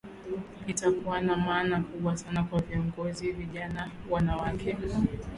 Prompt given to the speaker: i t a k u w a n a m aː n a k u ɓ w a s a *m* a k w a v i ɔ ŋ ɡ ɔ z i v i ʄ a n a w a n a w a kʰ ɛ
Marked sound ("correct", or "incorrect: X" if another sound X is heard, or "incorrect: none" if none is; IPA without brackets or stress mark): incorrect: n